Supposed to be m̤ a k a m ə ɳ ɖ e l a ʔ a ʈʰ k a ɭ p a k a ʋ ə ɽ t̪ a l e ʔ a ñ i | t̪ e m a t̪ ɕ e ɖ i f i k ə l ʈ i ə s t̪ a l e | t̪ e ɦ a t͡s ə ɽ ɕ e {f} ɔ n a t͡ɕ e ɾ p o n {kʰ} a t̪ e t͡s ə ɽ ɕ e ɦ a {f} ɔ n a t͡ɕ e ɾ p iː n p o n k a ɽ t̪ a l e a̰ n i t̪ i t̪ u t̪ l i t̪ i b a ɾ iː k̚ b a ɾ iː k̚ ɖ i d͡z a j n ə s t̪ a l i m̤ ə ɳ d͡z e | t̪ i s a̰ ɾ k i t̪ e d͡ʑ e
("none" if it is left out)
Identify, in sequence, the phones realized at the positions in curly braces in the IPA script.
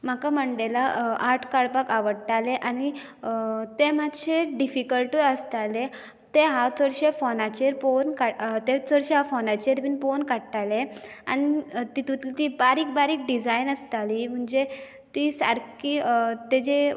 f, k, f

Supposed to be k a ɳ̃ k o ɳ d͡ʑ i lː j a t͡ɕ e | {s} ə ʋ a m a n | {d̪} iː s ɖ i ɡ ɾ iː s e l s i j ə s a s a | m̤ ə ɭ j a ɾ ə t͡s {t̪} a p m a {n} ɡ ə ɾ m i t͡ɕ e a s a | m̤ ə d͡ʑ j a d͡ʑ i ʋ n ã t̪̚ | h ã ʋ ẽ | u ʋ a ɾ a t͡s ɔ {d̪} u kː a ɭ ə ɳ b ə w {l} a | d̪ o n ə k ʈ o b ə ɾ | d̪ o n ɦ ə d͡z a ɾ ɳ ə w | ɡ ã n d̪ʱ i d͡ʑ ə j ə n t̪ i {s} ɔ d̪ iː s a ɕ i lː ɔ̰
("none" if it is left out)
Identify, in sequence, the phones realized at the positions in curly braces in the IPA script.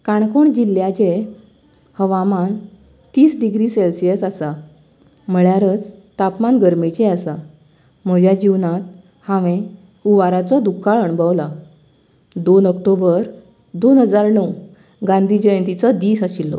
h, t̪, t̪, n, d̪, l, t͡s

